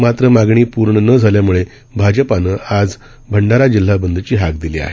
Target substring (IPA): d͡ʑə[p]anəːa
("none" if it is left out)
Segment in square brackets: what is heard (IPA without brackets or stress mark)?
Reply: p